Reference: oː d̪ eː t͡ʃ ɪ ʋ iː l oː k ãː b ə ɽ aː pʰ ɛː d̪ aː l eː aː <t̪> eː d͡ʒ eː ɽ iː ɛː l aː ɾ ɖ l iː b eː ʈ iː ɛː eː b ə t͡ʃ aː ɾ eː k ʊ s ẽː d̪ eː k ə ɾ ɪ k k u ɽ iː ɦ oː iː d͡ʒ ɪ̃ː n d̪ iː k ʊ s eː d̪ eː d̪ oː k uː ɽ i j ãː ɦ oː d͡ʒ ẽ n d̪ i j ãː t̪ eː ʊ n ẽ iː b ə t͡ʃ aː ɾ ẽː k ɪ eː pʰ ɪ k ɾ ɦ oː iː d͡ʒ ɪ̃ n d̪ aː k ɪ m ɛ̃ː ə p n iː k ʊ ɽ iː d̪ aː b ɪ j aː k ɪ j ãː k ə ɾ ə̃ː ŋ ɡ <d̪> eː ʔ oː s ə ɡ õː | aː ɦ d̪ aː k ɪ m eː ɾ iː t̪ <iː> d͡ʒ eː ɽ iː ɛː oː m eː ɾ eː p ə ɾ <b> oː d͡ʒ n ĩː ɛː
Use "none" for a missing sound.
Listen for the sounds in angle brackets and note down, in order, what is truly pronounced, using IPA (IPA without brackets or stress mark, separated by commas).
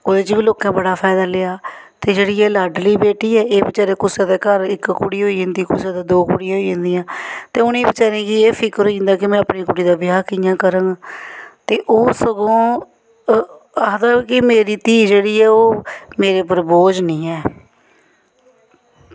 t̪, t̪, iː, b